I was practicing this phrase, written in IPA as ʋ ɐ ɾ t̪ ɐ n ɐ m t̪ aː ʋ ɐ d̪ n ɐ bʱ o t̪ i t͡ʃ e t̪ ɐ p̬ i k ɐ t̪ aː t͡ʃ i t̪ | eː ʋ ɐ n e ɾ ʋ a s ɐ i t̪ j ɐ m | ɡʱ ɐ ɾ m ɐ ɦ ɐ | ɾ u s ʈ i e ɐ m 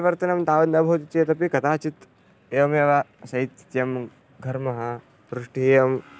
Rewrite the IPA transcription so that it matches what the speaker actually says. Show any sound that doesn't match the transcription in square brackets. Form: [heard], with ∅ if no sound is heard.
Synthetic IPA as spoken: ʋ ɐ ɾ t̪ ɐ n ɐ m t̪ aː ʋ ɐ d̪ n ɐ bʱ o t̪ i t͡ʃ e t̪ ɐ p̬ i k ɐ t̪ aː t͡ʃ i t̪ | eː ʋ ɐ [m] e [∅] ʋ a s ɐ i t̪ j ɐ m | ɡʱ ɐ ɾ m ɐ ɦ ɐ | ɾ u [ʂ] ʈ i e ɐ m

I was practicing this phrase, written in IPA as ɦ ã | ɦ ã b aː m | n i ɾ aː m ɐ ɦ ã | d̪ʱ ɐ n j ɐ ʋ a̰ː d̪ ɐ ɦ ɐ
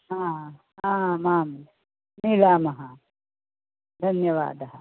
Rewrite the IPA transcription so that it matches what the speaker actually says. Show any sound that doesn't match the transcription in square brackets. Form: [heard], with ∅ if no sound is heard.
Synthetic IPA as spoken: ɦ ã | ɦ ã [m] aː m | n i [l] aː m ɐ ɦ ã | d̪ʱ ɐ n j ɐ ʋ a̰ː d̪ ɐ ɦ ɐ

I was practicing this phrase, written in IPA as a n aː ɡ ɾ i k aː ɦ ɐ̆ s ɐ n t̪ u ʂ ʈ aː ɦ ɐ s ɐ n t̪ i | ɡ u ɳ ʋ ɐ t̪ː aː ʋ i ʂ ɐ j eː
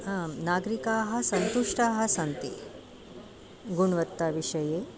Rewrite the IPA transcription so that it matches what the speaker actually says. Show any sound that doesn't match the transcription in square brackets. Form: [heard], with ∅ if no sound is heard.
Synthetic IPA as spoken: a n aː ɡ ɾ i k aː ɦ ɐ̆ s ɐ n t̪ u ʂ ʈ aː ɦ ɐ s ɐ n t̪ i | ɡ u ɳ ʋ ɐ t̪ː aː ʋ i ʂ ɐ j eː

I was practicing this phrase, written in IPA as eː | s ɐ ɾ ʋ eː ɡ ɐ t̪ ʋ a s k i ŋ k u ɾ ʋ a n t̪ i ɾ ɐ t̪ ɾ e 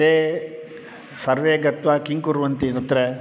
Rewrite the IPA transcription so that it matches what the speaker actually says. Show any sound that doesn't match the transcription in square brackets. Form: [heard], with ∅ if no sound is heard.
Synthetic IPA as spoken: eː | s ɐ ɾ ʋ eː ɡ ɐ t̪ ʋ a [∅] k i ŋ k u ɾ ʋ [ɐ] n t̪ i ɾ ɐ t̪ ɾ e

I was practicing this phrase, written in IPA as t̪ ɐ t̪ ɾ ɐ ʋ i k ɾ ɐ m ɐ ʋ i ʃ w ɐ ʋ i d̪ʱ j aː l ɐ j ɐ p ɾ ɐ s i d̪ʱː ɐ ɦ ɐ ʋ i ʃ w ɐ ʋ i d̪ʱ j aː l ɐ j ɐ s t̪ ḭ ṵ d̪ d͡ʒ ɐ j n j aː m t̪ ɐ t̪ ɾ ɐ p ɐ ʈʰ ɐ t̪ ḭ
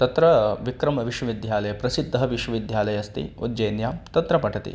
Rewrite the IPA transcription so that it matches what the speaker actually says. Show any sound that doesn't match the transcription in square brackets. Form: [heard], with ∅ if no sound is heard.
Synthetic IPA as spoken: t̪ ɐ t̪ ɾ ɐ ʋ i k ɾ ɐ m ɐ ʋ i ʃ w ɐ ʋ i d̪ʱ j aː l ɐ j ɐ p ɾ ɐ s i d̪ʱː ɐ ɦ ɐ ʋ i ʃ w ɐ ʋ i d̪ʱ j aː l ɐ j ɐ s t̪ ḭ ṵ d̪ d͡ʒ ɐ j n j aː m t̪ ɐ t̪ ɾ ɐ p ɐ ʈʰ ɐ t̪ ḭ

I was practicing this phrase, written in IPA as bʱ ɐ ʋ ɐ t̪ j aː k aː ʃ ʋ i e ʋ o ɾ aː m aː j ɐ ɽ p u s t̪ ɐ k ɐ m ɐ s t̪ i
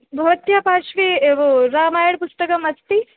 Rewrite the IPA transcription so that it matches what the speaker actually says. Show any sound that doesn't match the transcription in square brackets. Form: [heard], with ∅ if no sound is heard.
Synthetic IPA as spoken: bʱ ɐ ʋ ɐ t̪ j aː [p] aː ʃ ʋ i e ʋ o ɾ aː m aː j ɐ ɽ p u s t̪ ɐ k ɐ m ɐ s t̪ i

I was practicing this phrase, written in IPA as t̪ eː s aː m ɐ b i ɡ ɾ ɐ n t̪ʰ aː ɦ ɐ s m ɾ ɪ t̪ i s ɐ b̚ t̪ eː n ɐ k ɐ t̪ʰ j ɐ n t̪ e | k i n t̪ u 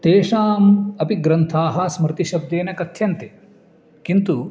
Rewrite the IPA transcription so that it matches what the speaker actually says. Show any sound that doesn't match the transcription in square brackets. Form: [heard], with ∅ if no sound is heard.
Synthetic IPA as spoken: t̪ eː [ʂ] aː m ɐ [p] i ɡ ɾ ɐ n t̪ʰ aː ɦ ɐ s m ɾ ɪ t̪ i [ʃ] ɐ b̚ [d̪] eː n ɐ k ɐ t̪ʰ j ɐ n t̪ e | k i n t̪ u

